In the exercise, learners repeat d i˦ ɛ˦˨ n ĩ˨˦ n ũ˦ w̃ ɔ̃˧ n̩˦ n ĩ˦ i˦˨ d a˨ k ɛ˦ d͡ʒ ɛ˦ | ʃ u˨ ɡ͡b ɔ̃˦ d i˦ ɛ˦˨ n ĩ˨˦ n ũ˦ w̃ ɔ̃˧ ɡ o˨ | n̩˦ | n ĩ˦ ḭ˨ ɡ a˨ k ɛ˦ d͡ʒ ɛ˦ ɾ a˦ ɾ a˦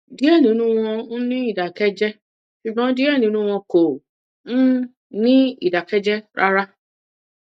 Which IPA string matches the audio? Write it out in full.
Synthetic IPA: d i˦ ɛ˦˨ n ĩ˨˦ n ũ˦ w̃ ɔ̃˧ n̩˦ n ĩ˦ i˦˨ d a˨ k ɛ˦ d͡ʒ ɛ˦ | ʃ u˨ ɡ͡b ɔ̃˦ d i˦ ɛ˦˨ n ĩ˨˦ n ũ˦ w̃ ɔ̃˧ k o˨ | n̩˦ | n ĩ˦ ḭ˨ d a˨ k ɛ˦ d͡ʒ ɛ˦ ɾ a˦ ɾ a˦